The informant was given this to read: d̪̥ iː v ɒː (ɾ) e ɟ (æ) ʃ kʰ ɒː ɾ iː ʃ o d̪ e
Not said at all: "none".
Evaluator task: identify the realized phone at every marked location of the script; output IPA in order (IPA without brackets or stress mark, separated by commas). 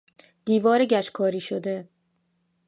ɾ, æ